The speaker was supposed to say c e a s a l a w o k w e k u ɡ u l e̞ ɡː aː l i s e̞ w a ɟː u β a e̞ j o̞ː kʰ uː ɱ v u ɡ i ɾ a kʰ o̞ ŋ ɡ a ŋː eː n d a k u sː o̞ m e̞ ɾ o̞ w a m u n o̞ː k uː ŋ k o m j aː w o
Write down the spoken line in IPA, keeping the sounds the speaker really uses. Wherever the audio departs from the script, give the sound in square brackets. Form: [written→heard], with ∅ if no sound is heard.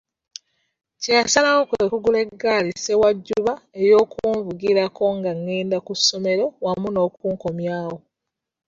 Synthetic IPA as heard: c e a s a l a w o k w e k u ɡ u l e̞ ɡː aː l i s e̞ w a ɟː u β a e̞ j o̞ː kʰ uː ɱ v u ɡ i ɾ a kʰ o̞ ŋ ɡ a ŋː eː n d a k u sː o̞ m e̞ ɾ o̞ w a m u n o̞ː k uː ŋ k o m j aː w o

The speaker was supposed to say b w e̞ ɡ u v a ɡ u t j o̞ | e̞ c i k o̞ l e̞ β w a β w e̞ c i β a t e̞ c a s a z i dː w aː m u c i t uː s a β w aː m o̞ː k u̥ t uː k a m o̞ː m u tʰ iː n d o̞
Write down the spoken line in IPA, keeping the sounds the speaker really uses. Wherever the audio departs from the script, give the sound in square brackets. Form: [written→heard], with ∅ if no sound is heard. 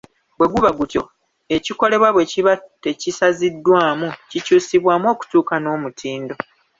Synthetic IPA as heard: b w e̞ ɡ u [v→β] a ɡ u t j o̞ | e̞ c i k o̞ l e̞ β w a β w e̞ c i β a t e̞ c [a→i] s a z i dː w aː m u c i [t→c] uː s [a→i] β w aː m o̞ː k u̥ t uː k a [m→n] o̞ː m u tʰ iː n d o̞

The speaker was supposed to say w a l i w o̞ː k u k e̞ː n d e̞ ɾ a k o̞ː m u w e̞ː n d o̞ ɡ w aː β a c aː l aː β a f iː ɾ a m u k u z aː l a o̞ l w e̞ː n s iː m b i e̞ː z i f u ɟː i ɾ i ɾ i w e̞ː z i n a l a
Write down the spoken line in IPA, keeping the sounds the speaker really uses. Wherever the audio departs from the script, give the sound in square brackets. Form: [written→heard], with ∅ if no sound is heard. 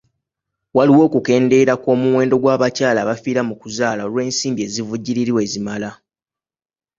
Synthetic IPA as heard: w a l i w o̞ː k u k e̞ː n d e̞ ɾ a k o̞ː m u w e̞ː n d o̞ ɡ w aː β a c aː l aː β a f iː ɾ a m u k u z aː l a o̞ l w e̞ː n s iː m b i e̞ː z i [f→v] u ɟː i ɾ i ɾ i w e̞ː z i [n→m] a l a

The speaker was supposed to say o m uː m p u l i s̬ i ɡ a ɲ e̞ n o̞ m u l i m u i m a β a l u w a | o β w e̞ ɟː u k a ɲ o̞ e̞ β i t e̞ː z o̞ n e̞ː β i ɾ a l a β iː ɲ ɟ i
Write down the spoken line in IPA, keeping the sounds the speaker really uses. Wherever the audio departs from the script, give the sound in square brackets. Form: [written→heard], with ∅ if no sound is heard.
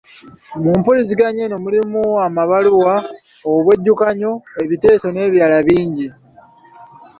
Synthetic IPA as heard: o m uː m p u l i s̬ i ɡ a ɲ e̞ n o̞ m u l i m u [i→a] m a β a l u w a | o β w e̞ ɟː u k a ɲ o̞ e̞ β i t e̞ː [z→s] o̞ n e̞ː β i ɾ a l a β iː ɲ ɟ i

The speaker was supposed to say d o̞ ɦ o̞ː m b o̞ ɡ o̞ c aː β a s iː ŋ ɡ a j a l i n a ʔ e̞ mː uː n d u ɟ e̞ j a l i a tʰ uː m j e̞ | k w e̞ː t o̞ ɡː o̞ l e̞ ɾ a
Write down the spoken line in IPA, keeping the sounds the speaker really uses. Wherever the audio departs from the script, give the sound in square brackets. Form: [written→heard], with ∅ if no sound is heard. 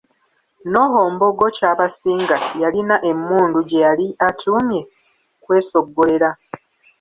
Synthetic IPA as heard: [d→n] o̞ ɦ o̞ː m b o̞ ɡ o̞ c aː β a s iː ŋ ɡ a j a l i n a ʔ e̞ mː uː n d u ɟ e̞ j a l i a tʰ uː m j e̞ | k w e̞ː [t→s] o̞ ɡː o̞ l e̞ ɾ a

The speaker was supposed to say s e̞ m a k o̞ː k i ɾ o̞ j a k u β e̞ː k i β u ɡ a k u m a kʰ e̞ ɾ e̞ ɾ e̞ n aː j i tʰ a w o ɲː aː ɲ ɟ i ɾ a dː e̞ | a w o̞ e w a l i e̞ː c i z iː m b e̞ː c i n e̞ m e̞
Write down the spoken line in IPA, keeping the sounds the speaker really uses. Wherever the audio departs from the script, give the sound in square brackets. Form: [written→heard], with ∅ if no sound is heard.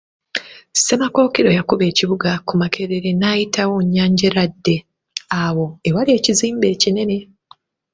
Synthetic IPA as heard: s e̞ m a k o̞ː k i ɾ o̞ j a k u β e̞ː [k→c] i β u ɡ a k u m a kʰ e̞ ɾ e̞ ɾ e̞ n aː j i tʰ a w o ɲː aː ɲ ɟ [i→e] ɾ a dː e̞ | a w o̞ e w a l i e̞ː c i z iː m b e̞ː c i n e̞ [m→n] e̞

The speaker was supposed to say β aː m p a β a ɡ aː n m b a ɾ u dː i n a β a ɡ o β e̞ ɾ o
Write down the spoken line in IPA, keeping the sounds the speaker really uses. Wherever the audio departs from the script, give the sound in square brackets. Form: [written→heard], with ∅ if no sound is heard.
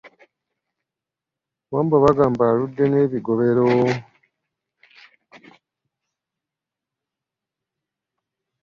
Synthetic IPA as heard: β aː m [p→b] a β a ɡ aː [n→∅] m b a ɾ u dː [i→e] n [a→e] β [a→i] ɡ o β e̞ ɾ o

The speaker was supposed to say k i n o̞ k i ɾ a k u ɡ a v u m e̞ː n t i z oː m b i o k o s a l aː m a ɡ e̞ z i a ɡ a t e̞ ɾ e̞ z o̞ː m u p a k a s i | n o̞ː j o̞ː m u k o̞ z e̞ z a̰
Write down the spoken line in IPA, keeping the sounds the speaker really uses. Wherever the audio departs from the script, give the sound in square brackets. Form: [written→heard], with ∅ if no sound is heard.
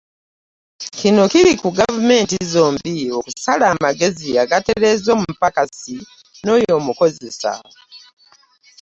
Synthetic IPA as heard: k i n o̞ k i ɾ [a→i] k u ɡ a v u m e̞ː n t i z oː m b i o k [o→u] s a l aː m a ɡ e̞ z i a ɡ a t e̞ ɾ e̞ z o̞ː m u p a k a s i | n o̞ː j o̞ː m u k o̞ z e̞ [z→s] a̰

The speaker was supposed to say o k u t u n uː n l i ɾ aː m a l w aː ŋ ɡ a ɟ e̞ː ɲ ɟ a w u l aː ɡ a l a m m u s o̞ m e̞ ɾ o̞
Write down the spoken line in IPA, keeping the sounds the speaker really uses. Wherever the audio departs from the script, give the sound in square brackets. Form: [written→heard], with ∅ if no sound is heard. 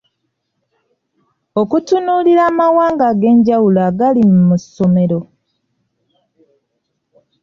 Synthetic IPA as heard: o k u t u n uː [n→∅] l i ɾ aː m a [l→∅] w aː ŋ ɡ a [ɟ→ɡ] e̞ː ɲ ɟ a w u l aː ɡ a l [a→i] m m u s o̞ m e̞ ɾ o̞

